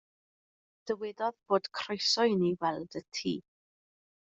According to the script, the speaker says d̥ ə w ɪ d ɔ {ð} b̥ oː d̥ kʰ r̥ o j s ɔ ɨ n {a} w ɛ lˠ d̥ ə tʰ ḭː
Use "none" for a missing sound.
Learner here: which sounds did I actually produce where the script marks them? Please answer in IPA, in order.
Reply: ð, i

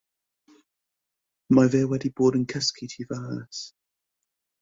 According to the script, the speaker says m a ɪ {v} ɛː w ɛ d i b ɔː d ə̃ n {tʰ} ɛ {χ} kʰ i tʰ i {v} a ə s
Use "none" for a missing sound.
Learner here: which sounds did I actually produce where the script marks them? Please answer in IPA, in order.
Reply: v, kʰ, s, v

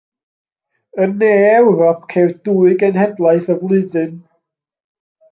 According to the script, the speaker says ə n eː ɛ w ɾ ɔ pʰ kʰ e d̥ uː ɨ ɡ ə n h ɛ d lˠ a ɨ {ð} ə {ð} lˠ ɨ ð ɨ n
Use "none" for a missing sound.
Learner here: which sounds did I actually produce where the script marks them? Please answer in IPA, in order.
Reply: θ, v

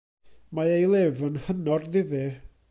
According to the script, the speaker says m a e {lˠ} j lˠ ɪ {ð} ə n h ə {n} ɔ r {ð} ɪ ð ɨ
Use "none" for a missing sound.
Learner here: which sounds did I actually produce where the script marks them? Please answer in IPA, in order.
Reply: none, v, n, ð

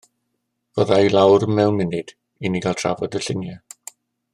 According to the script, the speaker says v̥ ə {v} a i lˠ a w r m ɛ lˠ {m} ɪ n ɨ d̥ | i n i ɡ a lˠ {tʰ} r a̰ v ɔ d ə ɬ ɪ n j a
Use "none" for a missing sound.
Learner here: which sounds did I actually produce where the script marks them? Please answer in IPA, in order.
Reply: ð, m, tʰ

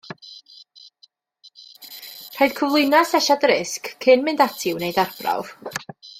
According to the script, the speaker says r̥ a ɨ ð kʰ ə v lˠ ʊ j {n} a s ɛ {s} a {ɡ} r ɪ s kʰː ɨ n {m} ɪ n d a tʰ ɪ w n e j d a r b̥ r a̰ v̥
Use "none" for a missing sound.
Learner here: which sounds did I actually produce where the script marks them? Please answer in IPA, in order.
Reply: n, ʃ, d, m

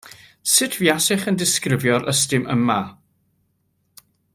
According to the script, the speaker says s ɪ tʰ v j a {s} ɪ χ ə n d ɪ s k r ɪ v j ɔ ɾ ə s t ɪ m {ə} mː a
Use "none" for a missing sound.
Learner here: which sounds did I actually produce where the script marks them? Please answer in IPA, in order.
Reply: s, ə

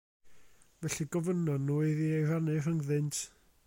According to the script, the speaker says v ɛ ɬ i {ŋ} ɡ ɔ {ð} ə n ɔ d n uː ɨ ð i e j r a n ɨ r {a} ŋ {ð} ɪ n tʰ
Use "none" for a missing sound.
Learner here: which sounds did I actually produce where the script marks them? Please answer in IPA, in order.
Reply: none, v, ə, ð

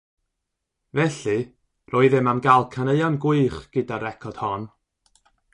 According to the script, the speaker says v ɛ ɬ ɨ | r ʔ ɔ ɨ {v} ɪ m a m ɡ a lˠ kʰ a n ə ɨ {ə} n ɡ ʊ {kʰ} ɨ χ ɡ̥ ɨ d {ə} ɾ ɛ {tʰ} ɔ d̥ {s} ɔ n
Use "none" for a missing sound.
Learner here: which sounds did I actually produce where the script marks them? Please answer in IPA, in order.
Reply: ð, a, none, a, kʰ, h

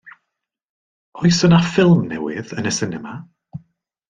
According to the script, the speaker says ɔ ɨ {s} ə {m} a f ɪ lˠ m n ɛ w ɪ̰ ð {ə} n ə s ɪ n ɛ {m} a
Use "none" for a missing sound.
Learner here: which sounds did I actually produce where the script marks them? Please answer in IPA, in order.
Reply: s, n, ə, m

